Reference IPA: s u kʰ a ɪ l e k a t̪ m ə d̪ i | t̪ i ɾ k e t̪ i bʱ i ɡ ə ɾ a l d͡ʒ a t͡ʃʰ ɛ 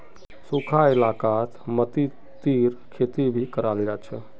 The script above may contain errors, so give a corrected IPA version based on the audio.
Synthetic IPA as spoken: s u kʰ a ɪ l a k a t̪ m ə t̪ i | t̪ i ɾ kʰ e t̪ i bʱ i k ə ɾ a l d͡ʒ a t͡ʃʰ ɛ

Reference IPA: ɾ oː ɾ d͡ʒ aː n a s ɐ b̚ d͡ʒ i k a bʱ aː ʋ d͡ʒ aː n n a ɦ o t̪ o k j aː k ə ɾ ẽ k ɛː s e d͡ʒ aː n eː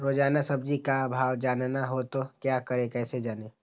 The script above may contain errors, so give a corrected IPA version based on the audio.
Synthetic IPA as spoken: ɾ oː d͡ʒ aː n a s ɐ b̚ d͡ʒ i k a bʱ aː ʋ d͡ʒ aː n n a ɦ o t̪ o k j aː k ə ɾ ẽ k ɛː s e d͡ʒ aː n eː

